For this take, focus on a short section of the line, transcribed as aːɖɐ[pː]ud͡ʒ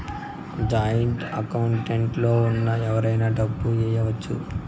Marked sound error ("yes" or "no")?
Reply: yes